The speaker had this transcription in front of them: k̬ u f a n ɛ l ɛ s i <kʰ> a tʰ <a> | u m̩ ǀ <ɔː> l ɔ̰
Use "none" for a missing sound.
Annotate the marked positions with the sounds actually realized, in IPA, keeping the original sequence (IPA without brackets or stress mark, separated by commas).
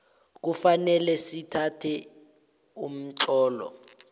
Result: tʰ, ɛ, ɔː